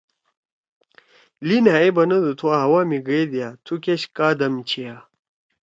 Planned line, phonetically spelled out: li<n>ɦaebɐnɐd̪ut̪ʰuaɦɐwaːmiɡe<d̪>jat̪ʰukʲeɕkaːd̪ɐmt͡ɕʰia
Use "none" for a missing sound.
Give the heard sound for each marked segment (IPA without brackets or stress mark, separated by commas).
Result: n, d̪